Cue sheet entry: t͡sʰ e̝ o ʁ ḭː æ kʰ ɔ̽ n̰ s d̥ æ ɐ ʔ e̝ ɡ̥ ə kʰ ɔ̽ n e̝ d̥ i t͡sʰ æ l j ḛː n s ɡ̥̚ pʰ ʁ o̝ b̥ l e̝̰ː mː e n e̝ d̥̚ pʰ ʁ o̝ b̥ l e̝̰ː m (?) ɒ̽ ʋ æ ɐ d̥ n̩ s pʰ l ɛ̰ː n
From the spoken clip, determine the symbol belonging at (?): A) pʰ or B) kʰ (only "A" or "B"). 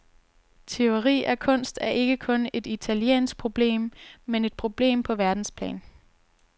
A